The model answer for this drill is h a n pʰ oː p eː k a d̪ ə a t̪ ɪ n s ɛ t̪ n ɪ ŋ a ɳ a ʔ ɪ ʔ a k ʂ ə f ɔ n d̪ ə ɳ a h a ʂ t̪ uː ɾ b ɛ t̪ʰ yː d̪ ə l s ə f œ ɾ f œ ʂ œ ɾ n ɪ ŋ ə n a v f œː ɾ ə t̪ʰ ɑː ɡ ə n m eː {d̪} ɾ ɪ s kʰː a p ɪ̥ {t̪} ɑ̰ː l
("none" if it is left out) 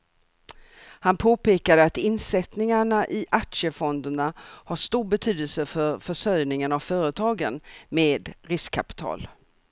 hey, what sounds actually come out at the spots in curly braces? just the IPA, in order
d̪, t̪ʰ

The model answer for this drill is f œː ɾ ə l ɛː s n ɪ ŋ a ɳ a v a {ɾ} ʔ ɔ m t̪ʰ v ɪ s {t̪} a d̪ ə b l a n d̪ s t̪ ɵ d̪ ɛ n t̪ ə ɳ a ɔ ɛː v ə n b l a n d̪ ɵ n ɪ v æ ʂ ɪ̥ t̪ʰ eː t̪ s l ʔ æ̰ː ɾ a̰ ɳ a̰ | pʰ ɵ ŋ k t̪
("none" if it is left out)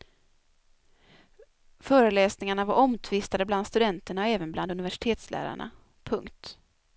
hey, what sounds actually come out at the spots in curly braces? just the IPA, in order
ɾ, t̪

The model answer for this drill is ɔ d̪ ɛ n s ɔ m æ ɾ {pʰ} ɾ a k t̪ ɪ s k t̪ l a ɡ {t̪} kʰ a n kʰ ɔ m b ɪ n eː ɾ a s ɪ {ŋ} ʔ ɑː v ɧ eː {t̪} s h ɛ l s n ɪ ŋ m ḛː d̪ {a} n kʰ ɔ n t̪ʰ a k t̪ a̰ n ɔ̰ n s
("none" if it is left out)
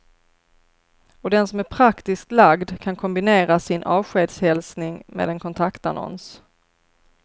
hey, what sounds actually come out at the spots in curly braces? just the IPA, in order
pʰ, d̪, n, d̪, ɛ

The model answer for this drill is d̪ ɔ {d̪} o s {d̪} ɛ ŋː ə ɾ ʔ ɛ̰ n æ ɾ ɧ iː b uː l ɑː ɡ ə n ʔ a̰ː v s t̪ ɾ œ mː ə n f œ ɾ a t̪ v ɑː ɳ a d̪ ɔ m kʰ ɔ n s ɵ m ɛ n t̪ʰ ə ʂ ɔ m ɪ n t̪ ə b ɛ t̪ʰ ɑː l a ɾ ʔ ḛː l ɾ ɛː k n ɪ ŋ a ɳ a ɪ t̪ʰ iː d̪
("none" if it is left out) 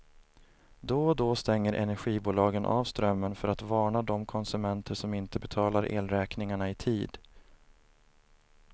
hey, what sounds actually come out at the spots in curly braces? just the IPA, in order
d̪, t̪

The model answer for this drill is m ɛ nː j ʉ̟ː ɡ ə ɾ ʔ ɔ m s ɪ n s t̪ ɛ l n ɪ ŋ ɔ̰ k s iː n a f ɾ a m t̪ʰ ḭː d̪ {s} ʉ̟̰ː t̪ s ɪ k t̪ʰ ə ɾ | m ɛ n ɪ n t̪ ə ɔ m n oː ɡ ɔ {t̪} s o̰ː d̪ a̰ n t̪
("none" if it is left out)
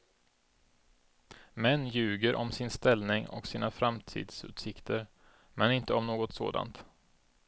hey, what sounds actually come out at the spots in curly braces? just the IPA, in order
s, t̪

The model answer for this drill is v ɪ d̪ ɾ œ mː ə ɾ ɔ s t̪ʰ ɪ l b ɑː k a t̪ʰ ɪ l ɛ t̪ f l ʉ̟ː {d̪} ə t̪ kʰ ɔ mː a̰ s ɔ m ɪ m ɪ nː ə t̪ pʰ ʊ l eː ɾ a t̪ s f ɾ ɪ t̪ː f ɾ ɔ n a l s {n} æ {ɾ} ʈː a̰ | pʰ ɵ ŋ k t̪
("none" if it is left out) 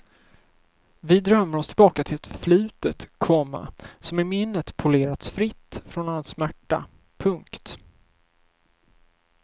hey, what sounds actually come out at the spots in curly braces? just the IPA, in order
t̪, m, none

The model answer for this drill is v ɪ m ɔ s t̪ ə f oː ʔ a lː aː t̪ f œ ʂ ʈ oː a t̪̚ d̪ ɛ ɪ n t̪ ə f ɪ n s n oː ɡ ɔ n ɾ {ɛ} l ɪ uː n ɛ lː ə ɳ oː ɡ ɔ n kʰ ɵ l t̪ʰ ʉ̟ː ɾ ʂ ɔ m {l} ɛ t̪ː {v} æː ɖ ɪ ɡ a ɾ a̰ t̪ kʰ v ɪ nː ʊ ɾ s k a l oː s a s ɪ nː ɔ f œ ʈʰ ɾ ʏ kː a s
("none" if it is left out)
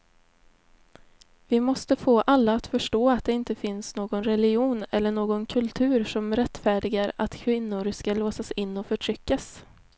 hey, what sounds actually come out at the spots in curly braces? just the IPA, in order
ɛ, ɾ, f

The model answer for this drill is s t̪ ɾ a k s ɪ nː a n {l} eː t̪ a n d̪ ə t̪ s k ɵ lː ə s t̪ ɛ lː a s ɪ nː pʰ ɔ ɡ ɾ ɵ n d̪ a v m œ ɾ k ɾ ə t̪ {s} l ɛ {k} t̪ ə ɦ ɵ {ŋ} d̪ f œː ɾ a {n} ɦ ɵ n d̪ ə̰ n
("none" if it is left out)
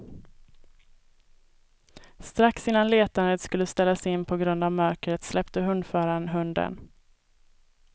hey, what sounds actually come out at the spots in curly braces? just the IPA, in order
l, s, p, n, n

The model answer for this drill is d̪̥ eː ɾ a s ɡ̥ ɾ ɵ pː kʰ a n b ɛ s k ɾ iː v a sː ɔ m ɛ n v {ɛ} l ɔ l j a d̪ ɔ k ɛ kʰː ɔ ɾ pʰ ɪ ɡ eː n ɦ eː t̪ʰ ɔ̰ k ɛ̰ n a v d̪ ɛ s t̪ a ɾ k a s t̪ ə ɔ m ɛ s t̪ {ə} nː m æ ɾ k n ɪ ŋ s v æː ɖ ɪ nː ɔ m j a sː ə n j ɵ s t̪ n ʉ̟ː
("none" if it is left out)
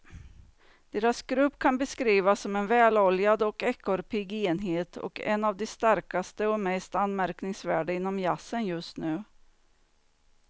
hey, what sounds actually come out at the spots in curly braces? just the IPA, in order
ɛː, a

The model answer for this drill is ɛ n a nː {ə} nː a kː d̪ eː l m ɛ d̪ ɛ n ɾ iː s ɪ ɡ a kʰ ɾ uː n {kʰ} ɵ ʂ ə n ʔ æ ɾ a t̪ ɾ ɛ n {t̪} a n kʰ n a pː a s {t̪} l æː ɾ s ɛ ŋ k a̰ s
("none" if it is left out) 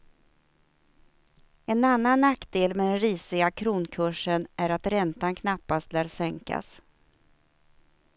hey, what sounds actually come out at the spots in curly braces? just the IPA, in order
a, kʰ, t̪, t̪

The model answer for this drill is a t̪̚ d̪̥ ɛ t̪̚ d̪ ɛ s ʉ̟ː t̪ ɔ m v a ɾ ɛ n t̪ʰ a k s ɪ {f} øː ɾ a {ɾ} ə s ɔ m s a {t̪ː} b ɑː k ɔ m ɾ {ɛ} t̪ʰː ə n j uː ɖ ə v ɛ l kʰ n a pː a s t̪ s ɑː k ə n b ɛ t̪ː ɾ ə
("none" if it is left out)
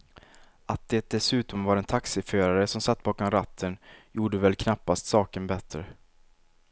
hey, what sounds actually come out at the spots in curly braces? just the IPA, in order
f, ɾ, t̪ː, a

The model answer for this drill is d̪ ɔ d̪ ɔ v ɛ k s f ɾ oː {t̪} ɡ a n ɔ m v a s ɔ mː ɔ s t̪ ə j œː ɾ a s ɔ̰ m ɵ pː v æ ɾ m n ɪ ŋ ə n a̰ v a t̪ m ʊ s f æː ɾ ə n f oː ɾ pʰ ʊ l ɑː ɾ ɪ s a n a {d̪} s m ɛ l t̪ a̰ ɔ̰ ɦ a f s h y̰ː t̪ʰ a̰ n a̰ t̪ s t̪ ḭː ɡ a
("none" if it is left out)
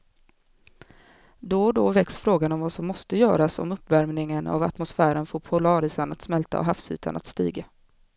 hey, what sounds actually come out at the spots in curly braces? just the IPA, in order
none, t̪

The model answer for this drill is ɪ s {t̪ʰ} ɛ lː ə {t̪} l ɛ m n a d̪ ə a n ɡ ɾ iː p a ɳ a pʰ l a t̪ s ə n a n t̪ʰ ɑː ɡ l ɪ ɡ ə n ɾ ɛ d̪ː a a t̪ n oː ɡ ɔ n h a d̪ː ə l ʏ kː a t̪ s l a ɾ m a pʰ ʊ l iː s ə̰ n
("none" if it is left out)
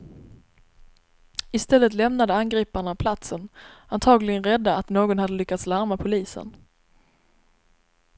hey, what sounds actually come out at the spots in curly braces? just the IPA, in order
t̪, t̪

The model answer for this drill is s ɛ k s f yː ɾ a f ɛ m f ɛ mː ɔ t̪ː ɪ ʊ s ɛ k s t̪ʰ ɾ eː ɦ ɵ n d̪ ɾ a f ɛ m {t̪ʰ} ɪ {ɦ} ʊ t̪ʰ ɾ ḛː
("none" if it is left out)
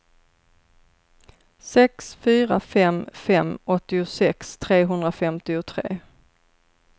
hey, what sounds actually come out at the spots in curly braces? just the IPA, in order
t̪, none

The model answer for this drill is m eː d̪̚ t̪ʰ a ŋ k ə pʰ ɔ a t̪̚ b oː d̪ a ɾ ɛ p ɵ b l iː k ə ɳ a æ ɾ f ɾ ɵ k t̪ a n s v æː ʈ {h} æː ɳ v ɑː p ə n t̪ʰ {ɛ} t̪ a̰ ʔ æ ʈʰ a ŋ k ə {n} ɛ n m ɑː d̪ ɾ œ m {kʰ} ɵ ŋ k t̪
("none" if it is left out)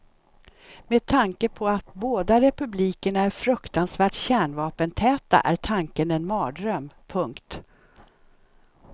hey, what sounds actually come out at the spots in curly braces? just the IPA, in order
ɕ, ɛː, n, pʰ

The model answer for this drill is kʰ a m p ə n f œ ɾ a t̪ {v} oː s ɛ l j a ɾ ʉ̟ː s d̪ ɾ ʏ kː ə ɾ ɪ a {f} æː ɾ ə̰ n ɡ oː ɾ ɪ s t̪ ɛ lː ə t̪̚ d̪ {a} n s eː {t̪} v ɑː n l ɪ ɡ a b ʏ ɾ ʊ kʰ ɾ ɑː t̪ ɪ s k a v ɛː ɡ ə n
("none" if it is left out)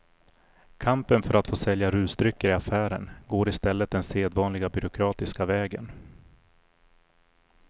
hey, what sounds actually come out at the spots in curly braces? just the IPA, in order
f, f, ɛ, d̪

